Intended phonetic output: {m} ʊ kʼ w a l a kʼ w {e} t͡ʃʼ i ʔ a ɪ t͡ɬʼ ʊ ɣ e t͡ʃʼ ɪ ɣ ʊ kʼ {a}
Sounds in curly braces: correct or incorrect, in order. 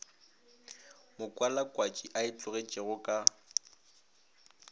correct, incorrect, correct

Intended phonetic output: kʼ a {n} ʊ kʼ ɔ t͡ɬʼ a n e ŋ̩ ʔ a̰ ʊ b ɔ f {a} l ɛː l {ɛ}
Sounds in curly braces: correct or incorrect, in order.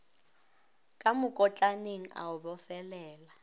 incorrect, incorrect, incorrect

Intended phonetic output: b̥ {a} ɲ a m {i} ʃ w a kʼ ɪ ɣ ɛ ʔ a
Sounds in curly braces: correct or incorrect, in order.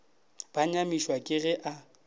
correct, correct

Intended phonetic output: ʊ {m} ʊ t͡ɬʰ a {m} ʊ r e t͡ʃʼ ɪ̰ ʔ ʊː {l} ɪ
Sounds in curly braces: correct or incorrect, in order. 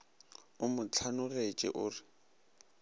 correct, incorrect, incorrect

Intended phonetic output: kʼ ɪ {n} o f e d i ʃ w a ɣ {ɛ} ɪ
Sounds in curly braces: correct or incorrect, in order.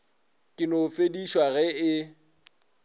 correct, correct

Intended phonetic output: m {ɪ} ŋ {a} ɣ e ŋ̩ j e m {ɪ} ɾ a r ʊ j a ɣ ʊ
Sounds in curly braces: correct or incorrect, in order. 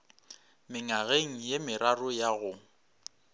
correct, correct, correct

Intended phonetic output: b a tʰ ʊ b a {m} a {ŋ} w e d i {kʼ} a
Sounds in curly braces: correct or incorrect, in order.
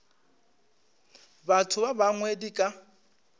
incorrect, correct, correct

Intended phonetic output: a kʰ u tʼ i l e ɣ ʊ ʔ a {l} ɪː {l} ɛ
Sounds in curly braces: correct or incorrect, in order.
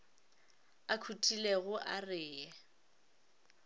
incorrect, incorrect

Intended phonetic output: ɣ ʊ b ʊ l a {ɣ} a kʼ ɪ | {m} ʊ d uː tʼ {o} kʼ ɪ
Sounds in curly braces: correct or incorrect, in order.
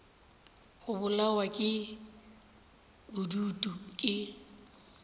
incorrect, incorrect, incorrect

